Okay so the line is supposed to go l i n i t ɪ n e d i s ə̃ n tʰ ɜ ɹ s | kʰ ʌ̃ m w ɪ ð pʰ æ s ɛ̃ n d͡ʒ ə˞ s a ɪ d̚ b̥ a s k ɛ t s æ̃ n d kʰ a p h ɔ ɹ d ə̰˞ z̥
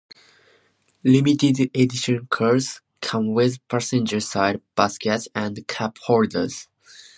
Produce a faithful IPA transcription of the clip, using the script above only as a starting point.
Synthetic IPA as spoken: l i m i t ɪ d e d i ʃ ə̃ n kʰ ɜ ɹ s | kʰ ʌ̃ m w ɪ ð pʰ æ s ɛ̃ n d͡ʒ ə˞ s a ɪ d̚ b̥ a s k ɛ t s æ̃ n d kʰ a p h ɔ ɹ d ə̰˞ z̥